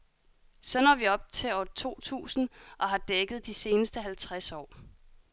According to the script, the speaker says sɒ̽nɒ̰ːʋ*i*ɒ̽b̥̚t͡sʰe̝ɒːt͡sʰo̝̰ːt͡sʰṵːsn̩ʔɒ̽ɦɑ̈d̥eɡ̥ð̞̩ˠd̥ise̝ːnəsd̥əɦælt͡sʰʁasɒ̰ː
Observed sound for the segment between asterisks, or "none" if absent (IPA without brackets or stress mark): i